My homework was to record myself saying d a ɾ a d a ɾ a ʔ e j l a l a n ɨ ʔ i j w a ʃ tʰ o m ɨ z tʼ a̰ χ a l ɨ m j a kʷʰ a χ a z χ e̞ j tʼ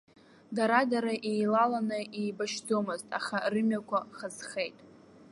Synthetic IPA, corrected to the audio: d a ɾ a d a ɾ a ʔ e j l a l a n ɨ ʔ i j b a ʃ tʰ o m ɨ z tʼ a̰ χ a r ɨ m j a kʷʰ a χ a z χ e̞ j tʼ